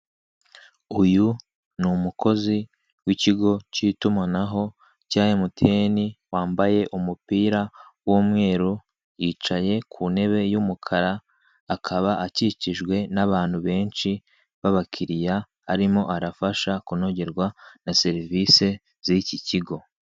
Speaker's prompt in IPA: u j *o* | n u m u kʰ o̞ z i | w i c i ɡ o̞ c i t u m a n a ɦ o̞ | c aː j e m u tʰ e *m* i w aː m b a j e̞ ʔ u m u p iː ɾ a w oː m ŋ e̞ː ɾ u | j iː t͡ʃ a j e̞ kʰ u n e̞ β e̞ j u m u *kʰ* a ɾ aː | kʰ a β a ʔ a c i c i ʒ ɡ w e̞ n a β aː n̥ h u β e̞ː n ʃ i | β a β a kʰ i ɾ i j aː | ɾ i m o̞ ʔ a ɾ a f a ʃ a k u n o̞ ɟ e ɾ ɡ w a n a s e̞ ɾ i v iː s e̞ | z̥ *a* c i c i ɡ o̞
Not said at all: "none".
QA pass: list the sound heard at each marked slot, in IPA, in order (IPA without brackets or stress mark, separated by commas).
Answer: u, n, kʰ, i